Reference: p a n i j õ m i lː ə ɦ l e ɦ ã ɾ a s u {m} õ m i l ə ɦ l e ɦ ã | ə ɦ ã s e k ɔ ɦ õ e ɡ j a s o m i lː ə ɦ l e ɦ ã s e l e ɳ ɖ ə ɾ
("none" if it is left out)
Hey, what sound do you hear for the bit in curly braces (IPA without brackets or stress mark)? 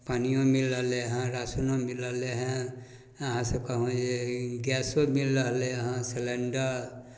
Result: n